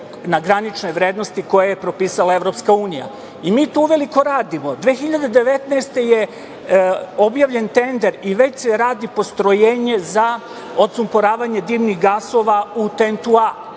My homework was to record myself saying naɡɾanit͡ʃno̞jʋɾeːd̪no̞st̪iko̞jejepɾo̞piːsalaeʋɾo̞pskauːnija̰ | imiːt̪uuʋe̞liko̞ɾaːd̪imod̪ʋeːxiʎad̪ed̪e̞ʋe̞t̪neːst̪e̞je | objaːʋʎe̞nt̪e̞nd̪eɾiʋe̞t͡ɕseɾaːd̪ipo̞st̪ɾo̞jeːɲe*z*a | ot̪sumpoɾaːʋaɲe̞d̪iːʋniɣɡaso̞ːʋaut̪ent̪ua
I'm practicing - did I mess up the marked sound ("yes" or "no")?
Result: no